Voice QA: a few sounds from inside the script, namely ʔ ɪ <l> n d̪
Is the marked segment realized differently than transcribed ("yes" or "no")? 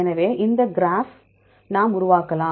yes